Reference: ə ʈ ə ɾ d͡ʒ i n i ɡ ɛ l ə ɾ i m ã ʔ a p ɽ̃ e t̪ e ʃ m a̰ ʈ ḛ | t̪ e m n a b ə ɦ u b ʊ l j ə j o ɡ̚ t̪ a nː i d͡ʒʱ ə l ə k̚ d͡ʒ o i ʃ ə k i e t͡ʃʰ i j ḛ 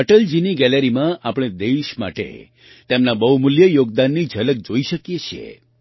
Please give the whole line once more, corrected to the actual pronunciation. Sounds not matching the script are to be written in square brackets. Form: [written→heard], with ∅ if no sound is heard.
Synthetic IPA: ə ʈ ə [ɾ→l] d͡ʒ i n i ɡ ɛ l ə ɾ i m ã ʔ a p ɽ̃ e [t̪→d̪] e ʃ m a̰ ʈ ḛ | t̪ e m n a b ə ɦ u [b→m] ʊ l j ə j o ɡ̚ [t̪→d̪] a nː i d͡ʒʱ ə l ə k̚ d͡ʒ o i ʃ ə k [i→j] e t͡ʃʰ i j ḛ